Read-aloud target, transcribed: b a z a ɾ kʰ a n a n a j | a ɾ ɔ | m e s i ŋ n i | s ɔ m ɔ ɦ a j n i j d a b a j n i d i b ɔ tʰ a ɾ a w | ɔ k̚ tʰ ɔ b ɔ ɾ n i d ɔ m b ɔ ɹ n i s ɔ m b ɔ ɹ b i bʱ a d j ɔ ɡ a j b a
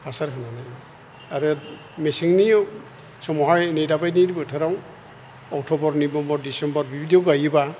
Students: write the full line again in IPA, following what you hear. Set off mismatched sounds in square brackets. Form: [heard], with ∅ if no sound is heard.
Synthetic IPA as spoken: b a [s] a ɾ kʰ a n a n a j | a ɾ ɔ | m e s i ŋ n i | s ɔ m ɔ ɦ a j n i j d a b a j n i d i b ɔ tʰ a ɾ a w | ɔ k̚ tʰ ɔ b ɔ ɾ n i [b] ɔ m b ɔ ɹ [d] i s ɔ m b ɔ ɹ b i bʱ [i] d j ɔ ɡ a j b a